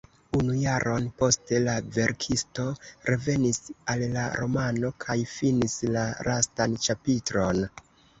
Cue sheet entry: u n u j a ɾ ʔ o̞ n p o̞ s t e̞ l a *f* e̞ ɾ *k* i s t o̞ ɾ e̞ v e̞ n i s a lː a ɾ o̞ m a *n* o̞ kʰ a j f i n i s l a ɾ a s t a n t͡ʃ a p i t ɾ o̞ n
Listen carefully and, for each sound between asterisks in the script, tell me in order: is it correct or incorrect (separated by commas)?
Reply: incorrect, incorrect, correct